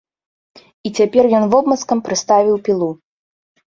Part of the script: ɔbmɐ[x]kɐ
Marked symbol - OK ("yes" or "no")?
no